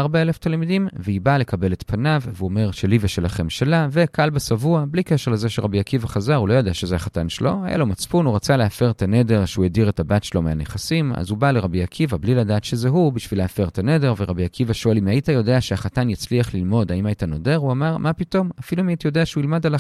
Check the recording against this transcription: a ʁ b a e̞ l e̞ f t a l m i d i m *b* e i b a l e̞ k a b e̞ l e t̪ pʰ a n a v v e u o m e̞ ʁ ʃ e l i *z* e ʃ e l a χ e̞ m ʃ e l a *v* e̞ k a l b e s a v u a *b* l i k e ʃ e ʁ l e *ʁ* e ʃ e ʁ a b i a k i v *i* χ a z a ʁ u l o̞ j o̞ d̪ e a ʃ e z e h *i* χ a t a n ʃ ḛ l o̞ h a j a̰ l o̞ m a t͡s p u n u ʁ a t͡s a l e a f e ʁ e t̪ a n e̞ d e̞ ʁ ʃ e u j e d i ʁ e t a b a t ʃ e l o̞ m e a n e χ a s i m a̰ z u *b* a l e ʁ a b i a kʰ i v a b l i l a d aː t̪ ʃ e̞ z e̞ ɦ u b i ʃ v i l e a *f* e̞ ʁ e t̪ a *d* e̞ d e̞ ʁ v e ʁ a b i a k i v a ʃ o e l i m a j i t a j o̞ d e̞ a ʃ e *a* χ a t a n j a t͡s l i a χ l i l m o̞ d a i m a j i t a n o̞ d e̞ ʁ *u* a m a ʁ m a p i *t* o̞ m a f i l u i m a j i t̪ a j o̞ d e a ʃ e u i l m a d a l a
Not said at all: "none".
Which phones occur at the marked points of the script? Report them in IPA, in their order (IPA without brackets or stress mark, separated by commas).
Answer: v, v, v, b, z, a, a, b, f, n, a, u, t